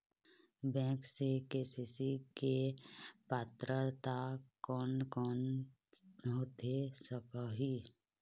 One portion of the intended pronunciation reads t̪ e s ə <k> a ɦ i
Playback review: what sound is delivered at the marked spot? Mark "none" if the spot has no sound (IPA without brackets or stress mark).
k